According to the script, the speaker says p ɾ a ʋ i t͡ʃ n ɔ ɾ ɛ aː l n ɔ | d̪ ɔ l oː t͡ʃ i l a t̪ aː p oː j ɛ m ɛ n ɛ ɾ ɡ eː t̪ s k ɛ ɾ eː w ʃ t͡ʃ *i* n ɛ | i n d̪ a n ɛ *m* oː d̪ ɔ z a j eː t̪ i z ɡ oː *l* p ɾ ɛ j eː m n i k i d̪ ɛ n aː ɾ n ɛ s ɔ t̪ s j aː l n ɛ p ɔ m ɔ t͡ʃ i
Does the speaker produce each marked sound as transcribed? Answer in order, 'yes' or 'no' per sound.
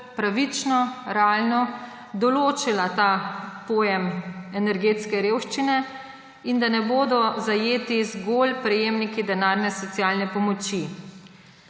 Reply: yes, no, yes

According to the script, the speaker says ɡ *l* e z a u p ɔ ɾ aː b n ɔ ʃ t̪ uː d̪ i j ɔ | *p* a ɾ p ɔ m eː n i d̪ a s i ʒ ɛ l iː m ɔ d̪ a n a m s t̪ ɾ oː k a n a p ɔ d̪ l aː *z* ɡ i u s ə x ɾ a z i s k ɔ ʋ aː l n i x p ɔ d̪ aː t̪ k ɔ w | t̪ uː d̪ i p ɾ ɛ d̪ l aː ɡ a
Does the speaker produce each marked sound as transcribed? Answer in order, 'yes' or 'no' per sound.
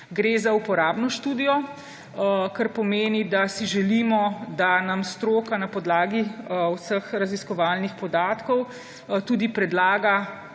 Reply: no, no, no

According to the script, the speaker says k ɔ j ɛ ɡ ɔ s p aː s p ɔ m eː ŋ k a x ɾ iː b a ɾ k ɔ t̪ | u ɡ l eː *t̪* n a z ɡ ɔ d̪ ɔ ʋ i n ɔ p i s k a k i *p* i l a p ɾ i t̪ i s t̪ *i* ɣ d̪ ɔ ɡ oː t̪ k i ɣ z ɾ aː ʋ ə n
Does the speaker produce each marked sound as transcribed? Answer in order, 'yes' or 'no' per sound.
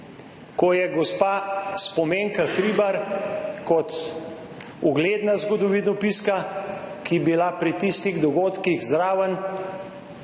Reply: no, no, yes

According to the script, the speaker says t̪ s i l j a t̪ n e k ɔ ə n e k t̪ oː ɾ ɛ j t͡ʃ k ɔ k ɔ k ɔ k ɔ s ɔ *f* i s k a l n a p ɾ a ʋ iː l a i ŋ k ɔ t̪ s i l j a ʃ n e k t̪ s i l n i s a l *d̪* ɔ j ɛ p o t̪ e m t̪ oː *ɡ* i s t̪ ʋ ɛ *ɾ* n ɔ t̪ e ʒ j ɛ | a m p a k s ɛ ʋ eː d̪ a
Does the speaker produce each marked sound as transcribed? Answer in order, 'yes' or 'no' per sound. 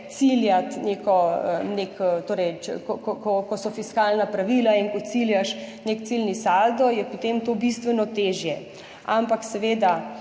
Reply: yes, yes, no, no

